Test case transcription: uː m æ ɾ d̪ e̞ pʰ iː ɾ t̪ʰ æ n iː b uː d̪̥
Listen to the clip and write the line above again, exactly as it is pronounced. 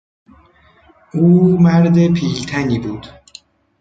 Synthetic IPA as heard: uː m æ ɾ d̪ e̞ pʰ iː l t̪ʰ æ n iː b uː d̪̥